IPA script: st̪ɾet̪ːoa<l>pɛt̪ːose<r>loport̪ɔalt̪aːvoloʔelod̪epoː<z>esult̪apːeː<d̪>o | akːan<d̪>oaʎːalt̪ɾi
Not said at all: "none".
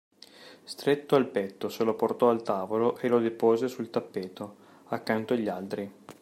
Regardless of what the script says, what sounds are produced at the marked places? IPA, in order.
l, none, z, t̪, t̪

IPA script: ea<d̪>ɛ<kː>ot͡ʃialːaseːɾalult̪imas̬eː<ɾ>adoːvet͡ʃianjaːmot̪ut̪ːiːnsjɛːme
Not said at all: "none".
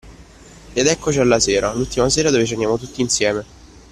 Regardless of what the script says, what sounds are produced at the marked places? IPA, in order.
d̪, kː, ɾ

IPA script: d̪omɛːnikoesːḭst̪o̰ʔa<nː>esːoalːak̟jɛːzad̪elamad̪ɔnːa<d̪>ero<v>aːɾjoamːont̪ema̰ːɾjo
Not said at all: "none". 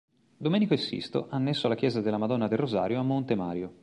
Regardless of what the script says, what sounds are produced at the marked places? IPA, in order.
nː, d̪, z

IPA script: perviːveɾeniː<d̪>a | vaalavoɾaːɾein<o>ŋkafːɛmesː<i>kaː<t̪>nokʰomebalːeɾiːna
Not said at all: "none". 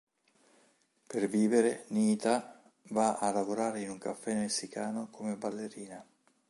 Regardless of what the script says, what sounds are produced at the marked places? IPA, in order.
t̪, u, i, none

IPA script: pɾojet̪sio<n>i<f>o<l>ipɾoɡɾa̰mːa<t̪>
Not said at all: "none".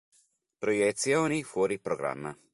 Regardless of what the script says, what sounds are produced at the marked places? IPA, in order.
n, f, ɾ, none

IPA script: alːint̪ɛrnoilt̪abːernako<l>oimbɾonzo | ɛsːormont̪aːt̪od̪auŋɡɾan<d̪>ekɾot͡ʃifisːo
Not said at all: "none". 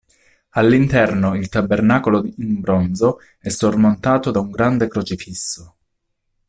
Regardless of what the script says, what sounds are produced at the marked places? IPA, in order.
l, d̪

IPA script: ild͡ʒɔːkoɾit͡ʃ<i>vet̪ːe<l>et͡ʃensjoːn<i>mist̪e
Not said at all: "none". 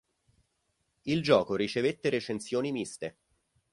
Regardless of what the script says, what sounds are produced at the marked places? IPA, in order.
e, ɾ, i

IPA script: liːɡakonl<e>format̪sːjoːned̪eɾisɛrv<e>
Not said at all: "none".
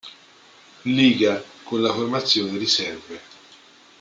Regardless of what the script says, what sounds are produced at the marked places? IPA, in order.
a, e

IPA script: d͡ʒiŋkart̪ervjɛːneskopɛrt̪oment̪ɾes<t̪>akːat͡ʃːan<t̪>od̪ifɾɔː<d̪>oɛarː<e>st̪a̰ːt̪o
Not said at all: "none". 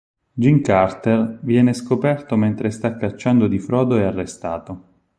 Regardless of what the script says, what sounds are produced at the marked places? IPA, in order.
t̪, d̪, d̪, e

